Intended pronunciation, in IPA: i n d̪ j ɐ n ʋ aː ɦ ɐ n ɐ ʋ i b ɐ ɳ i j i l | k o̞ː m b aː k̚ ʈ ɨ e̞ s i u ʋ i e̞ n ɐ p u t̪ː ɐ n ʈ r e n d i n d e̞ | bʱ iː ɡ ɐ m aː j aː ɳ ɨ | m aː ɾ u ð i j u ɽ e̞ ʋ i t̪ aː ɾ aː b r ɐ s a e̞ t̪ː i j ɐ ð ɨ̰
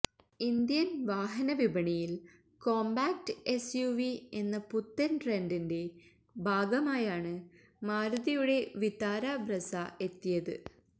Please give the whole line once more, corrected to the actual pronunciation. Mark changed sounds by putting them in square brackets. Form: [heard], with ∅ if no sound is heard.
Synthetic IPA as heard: i n d̪ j ɐ n ʋ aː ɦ ɐ n ɐ ʋ i b ɐ ɳ i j i l | k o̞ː m b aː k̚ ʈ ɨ e̞ s [j] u ʋ i e̞ [nː] ɐ p u t̪ː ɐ n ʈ r e n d i n d e̞ | bʱ [aː] ɡ ɐ m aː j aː ɳ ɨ | m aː ɾ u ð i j u ɽ e̞ ʋ i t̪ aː ɾ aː b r ɐ s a e̞ t̪ː i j ɐ ð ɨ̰

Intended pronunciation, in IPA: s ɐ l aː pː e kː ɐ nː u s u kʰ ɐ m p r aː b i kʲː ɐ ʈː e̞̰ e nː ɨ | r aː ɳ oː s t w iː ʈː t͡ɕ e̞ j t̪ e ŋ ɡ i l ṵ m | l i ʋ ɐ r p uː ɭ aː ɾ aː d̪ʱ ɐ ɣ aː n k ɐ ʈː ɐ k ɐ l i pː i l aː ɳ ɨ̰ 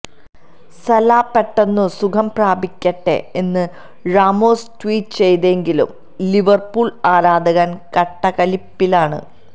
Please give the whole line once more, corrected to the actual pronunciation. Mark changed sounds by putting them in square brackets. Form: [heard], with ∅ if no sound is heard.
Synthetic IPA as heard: s ɐ l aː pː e [ʈː] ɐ nː u s u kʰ ɐ m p r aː b i kʲː ɐ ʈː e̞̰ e nː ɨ | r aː [m] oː s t w iː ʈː t͡ɕ e̞ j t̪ e ŋ ɡ i l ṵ m | l i ʋ ɐ r p uː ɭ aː ɾ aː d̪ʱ ɐ ɣ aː n k ɐ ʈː ɐ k ɐ l i pː i l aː ɳ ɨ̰

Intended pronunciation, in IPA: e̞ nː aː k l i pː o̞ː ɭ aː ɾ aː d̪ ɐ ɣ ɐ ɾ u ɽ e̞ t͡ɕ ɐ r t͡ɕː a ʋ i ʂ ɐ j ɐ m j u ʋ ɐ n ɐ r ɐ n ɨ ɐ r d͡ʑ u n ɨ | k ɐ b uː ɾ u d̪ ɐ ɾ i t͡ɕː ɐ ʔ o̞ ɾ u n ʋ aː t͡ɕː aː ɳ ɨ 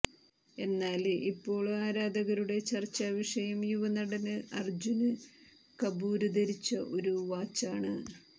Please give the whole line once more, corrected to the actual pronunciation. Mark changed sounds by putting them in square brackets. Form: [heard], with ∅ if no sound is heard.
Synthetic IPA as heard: e̞ nː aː [∅] l i pː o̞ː ɭ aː ɾ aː d̪ ɐ ɣ ɐ ɾ u ɽ e̞ t͡ɕ ɐ r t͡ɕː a ʋ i ʂ ɐ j ɐ m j u ʋ ɐ n ɐ [ɽ] ɐ n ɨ ɐ r d͡ʑ u n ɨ | k ɐ b uː ɾ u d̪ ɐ ɾ i t͡ɕː ɐ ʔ o̞ ɾ u [∅] ʋ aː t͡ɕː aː ɳ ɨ

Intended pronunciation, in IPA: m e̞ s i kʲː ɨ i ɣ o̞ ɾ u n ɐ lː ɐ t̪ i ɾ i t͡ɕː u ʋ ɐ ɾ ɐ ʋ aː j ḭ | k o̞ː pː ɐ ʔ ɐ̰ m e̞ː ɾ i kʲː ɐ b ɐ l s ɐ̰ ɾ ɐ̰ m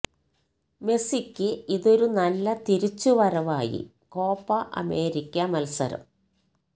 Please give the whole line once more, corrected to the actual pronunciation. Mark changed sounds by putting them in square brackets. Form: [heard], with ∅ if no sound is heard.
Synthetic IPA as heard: m e̞ s i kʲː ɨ i [ð] o̞ ɾ u n ɐ lː ɐ t̪ i ɾ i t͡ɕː u ʋ ɐ ɾ ɐ ʋ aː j ḭ | k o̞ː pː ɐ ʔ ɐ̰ m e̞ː ɾ i kʲː ɐ [m] ɐ l s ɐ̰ ɾ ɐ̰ m

